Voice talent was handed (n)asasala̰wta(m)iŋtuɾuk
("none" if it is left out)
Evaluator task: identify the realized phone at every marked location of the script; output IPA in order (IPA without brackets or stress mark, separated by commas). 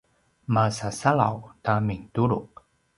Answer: m, m